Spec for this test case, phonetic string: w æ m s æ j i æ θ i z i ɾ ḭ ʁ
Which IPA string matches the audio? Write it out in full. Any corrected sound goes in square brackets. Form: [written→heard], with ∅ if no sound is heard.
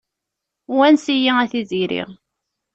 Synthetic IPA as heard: w æ [m→n] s [æ→i] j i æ θ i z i ɾ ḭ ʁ